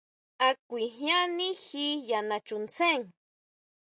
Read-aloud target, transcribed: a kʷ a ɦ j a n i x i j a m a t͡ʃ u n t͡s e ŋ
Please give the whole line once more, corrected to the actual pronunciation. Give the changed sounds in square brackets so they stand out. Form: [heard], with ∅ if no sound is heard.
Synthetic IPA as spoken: a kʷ [i] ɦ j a n i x i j a [n] a t͡ʃ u n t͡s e ŋ